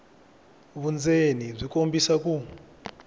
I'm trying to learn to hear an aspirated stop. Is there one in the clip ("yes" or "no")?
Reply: no